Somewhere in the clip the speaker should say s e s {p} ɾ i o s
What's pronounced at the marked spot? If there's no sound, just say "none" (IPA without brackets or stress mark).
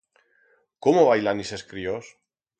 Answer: k